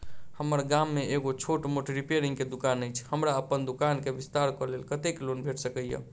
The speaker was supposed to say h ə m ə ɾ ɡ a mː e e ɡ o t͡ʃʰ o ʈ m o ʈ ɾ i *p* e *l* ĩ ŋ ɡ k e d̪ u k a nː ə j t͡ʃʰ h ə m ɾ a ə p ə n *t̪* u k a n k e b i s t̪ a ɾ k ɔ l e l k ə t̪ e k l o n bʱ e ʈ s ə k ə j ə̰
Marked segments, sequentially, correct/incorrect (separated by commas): correct, incorrect, incorrect